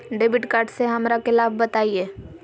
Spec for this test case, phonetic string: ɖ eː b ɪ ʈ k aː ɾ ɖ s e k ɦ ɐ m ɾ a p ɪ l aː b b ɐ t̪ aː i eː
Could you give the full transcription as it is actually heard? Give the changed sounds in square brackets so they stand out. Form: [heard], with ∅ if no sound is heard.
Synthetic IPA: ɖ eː b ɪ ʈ k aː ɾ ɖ s e [∅] ɦ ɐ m ɾ a [k] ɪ l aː b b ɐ t̪ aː i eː